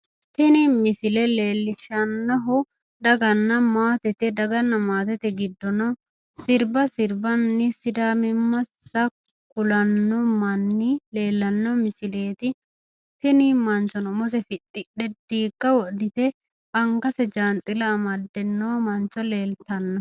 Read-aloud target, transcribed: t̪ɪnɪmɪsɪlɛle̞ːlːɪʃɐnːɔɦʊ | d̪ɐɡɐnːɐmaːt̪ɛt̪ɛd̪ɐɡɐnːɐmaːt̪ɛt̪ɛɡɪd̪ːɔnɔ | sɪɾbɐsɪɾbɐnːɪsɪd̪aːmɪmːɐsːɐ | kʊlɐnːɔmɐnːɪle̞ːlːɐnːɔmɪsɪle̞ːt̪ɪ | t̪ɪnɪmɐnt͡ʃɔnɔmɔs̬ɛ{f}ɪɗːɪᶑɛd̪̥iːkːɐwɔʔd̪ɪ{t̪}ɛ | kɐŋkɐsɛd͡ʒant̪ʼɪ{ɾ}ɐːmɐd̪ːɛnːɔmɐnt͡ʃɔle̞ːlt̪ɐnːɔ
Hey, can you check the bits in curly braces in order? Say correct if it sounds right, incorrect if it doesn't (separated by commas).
correct, correct, incorrect